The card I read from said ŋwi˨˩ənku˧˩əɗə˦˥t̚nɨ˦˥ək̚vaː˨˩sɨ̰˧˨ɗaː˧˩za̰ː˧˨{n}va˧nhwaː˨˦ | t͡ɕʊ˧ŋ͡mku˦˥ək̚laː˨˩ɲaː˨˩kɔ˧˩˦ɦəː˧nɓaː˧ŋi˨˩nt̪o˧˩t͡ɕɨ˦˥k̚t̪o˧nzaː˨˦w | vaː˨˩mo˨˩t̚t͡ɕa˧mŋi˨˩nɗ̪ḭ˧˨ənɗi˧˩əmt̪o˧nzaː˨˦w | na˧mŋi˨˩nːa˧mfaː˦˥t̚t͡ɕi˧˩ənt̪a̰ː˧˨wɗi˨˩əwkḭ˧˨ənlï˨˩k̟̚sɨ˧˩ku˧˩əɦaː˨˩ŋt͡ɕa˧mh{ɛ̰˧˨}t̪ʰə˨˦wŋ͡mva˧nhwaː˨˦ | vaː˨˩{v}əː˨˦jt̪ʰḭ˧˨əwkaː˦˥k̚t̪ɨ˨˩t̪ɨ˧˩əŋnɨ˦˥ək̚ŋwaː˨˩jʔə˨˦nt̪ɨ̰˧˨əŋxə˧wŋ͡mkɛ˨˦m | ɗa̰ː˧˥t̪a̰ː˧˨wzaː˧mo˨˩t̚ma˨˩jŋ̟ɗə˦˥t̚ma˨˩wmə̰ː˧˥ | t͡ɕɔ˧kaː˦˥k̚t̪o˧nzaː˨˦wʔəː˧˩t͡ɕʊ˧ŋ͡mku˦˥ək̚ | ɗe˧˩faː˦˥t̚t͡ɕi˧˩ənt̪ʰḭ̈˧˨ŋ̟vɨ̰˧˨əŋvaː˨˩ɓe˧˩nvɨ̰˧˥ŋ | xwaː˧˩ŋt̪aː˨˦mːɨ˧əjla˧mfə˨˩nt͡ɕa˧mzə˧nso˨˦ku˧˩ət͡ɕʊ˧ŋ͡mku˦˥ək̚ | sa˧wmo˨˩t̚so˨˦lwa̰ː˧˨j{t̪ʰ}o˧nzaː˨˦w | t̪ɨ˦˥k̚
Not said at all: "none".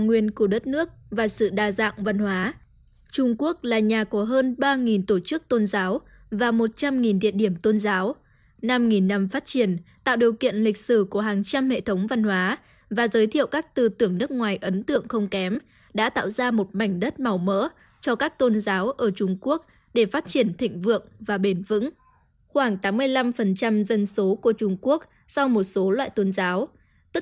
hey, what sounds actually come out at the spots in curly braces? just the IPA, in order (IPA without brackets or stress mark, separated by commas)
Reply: ŋ, ḛ˧˨, z, t̪